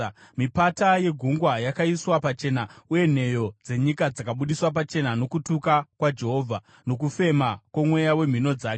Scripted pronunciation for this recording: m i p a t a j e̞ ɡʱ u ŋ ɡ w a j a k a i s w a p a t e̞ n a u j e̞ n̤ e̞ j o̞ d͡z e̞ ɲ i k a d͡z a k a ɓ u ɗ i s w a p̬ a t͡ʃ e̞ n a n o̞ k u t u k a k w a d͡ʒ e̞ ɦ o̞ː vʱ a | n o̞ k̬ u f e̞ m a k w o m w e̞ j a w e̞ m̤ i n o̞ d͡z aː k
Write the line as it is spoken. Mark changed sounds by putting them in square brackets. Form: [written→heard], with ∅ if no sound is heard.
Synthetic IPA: m i p a t a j e̞ ɡʱ u ŋ ɡ w a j a k a i s w a p a [t→t͡ʃ] e̞ n a u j e̞ n̤ e̞ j o̞ d͡z e̞ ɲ i k a d͡z a k a ɓ u ɗ i s w a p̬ a t͡ʃ e̞ n a n o̞ k u t u k a k w a d͡ʒ e̞ ɦ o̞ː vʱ a | n o̞ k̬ u f e̞ m a k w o m w e̞ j a w e̞ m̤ i n o̞ d͡z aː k